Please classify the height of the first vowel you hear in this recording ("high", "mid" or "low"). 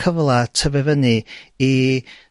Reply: mid